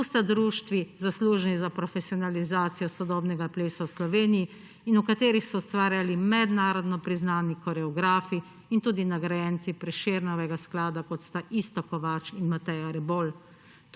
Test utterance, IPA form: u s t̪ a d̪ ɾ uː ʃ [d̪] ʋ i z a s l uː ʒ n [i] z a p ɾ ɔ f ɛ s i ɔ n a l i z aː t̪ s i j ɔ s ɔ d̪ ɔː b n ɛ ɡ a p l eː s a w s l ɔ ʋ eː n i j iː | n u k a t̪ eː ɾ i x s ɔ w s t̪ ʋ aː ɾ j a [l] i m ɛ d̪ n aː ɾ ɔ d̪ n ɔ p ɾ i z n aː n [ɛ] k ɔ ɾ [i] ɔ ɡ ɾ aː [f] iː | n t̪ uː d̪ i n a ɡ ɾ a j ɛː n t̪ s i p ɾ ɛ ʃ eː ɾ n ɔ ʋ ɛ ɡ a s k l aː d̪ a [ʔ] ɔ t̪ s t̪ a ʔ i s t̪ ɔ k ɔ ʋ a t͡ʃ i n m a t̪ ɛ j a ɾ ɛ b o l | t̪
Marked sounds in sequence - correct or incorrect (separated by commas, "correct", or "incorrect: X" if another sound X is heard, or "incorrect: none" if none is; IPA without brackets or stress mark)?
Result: incorrect: t̪, correct, correct, incorrect: i, incorrect: ɛ, correct, incorrect: k